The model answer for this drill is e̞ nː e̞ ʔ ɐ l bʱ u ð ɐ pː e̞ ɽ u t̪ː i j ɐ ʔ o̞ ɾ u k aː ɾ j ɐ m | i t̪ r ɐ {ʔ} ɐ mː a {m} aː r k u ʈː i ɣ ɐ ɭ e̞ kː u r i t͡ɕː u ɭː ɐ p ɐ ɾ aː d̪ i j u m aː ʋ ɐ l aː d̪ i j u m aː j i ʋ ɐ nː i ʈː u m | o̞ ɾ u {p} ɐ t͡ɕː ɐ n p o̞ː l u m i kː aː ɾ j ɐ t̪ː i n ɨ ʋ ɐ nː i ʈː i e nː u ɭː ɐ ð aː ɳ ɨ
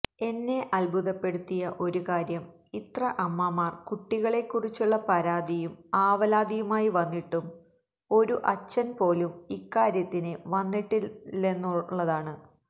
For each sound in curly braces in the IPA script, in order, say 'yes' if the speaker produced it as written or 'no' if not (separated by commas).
yes, yes, no